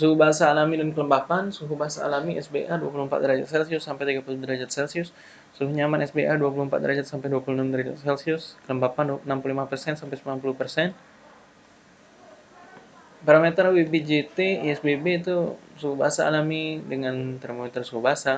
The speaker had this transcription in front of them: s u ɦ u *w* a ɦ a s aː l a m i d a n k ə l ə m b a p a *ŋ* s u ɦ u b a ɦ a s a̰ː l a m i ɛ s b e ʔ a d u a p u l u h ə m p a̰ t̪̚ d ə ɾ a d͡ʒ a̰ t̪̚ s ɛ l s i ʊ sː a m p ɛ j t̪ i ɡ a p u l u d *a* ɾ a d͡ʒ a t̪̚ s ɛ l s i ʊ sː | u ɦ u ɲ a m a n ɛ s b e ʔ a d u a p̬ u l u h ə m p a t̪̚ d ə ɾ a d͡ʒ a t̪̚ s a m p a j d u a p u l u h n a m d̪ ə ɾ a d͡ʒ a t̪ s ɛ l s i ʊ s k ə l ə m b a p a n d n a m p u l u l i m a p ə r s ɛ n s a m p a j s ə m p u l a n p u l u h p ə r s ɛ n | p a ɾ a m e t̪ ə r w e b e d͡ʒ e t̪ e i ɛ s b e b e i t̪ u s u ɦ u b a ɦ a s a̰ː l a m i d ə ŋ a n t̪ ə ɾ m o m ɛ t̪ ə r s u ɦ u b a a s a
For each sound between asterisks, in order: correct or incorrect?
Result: incorrect, incorrect, incorrect

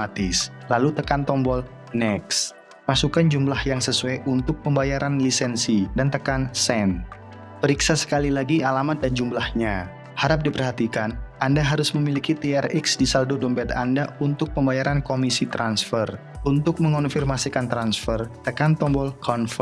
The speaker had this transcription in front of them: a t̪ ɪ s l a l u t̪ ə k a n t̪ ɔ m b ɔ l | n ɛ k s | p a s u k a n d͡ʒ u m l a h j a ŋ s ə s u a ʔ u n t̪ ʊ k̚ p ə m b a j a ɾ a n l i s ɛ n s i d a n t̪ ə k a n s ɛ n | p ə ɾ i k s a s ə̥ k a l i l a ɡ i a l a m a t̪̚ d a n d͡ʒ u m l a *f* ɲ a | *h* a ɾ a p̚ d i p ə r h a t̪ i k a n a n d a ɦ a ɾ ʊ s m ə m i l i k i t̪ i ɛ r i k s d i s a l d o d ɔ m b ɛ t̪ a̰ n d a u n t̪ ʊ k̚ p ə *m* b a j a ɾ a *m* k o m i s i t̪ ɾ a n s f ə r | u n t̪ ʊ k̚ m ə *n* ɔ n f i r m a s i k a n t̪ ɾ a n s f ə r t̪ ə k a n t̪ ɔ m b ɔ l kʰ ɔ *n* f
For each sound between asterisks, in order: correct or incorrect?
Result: incorrect, correct, correct, incorrect, incorrect, correct

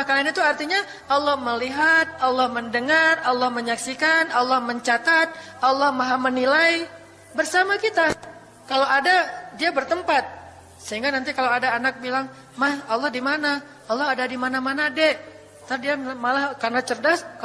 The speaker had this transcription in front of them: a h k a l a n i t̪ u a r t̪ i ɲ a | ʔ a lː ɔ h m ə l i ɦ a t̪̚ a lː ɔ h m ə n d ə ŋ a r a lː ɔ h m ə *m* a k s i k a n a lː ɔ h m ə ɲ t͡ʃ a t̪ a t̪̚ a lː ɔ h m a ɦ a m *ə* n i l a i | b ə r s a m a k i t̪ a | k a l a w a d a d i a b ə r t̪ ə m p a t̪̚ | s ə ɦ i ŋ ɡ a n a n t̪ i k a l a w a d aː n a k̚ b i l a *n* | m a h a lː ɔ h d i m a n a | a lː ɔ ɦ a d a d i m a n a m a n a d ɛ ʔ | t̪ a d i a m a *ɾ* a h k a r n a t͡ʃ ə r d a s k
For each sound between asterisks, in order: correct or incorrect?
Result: incorrect, correct, incorrect, incorrect

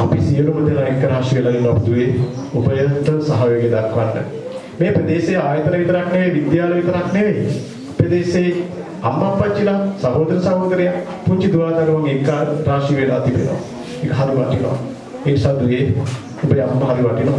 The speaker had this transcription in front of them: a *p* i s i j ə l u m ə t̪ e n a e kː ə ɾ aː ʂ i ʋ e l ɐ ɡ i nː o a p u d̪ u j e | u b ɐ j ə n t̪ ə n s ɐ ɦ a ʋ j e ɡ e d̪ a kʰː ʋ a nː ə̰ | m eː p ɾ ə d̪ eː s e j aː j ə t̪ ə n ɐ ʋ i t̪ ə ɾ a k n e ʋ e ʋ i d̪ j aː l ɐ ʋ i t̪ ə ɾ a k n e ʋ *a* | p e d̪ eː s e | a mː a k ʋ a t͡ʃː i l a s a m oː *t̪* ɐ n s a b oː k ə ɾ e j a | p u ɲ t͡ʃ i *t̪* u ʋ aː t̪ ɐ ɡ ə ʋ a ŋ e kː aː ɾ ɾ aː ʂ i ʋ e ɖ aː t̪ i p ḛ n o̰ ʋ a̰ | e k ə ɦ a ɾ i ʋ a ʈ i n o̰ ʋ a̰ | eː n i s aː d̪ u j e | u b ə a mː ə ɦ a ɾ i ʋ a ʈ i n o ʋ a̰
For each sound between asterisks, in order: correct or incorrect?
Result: correct, incorrect, incorrect, incorrect

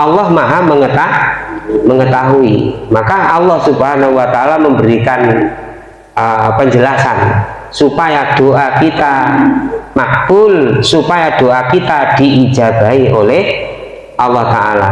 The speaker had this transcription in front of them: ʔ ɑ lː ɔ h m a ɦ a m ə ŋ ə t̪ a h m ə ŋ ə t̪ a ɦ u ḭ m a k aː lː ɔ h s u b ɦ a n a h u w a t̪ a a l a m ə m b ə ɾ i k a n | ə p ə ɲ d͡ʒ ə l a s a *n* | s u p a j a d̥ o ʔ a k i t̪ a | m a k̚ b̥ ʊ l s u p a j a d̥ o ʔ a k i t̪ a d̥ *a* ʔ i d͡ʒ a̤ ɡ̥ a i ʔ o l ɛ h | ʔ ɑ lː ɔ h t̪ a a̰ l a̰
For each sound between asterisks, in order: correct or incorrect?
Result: correct, incorrect

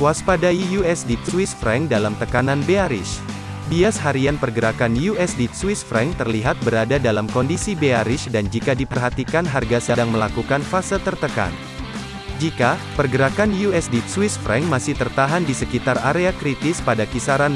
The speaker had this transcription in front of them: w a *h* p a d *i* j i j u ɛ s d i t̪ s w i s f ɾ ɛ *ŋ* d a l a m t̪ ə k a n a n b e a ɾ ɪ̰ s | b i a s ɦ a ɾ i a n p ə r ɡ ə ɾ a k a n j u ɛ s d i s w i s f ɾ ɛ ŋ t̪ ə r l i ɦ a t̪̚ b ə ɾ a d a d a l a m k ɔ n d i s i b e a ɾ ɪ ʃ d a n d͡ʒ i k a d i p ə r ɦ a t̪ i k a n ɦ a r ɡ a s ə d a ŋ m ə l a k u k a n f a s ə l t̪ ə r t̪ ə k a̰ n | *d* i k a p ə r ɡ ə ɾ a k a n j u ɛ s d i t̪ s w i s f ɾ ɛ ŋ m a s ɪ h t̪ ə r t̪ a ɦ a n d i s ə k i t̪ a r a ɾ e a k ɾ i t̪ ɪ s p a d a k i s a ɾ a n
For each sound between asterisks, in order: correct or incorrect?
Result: incorrect, incorrect, correct, incorrect

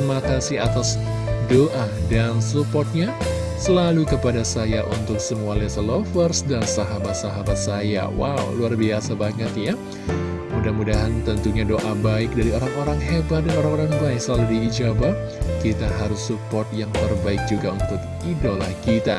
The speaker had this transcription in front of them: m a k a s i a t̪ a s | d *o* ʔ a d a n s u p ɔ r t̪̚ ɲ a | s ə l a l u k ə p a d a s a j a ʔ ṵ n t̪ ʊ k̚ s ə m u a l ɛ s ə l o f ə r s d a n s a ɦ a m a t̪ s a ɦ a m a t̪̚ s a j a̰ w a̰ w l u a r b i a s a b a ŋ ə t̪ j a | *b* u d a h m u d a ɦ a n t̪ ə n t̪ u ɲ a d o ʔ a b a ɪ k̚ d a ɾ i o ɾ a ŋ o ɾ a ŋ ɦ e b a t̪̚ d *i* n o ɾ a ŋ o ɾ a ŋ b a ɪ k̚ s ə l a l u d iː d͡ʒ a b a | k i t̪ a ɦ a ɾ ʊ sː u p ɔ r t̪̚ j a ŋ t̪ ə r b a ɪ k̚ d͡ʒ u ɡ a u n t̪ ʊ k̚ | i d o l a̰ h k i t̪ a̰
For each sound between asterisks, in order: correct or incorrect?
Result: correct, incorrect, incorrect

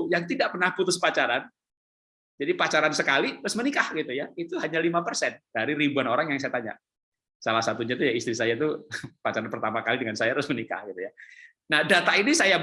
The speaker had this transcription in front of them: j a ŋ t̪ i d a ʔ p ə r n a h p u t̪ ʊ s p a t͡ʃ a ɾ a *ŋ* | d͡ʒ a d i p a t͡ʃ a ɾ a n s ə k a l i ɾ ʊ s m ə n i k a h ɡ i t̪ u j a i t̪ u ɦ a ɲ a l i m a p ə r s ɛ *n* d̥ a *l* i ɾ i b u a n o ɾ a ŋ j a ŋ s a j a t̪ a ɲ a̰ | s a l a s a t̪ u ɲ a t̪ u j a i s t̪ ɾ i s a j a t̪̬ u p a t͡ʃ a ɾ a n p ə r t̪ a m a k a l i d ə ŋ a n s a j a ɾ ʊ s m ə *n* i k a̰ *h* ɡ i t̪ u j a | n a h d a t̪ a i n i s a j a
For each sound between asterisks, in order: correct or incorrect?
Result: incorrect, correct, incorrect, correct, correct

